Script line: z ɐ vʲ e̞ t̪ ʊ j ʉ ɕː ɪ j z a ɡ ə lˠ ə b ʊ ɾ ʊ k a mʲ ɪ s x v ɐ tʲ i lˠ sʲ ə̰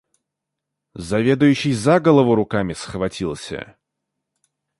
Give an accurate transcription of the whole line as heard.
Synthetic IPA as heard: z ɐ vʲ e̞ d̪ ʊ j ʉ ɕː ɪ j z a ɡ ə lˠ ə v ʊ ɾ ʊ k a mʲ ɪ s x v ɐ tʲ i lˠ sʲ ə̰